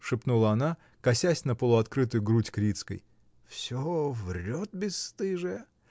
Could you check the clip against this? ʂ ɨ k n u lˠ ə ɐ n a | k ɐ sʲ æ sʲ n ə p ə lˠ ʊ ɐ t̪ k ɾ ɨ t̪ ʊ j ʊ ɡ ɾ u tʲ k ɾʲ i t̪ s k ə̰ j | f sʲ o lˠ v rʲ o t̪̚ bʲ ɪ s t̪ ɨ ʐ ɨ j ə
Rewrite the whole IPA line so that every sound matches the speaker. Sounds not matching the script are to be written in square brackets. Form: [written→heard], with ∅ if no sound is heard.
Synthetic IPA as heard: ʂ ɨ [k→p] n u lˠ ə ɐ n a | k ɐ sʲ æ sʲ n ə p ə lˠ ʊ ɐ t̪ k ɾ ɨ t̪ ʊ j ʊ ɡ ɾ u tʲ k ɾʲ i t̪ s k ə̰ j | f sʲ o [lˠ→∅] v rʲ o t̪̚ bʲ ɪ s t̪ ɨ ʐ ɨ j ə